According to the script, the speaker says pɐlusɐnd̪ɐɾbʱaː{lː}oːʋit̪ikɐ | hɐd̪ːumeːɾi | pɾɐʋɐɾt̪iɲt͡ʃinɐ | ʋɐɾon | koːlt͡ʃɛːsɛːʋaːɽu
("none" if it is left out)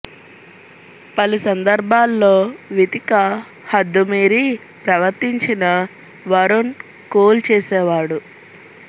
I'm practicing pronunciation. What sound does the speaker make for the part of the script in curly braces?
lː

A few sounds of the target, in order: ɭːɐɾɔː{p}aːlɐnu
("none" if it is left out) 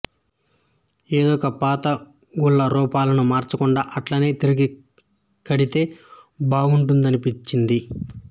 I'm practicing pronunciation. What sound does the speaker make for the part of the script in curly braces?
p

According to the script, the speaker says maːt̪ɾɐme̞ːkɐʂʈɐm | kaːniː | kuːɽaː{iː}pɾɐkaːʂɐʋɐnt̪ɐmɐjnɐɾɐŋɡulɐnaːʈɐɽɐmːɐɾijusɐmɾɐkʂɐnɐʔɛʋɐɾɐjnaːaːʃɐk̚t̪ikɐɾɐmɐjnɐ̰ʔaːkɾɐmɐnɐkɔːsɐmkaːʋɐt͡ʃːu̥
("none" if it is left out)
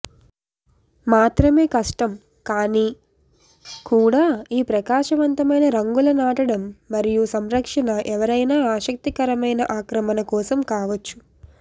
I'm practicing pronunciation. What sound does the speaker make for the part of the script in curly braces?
iː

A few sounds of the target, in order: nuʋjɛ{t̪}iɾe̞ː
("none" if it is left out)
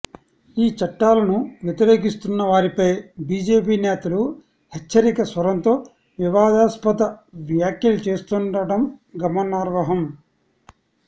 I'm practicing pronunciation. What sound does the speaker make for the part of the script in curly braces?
t̪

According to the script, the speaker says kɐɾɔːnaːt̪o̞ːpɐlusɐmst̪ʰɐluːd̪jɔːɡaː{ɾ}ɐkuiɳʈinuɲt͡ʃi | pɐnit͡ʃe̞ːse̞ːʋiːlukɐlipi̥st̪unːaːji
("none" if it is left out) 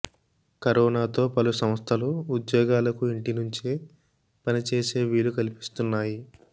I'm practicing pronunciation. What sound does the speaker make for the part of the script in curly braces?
l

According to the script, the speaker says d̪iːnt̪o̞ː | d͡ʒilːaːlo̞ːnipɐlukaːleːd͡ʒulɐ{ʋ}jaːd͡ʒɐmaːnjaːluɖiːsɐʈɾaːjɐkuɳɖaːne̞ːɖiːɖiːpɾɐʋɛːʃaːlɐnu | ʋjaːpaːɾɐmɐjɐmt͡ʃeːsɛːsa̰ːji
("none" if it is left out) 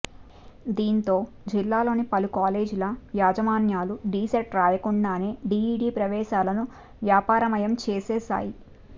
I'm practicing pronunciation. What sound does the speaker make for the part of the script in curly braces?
ʋ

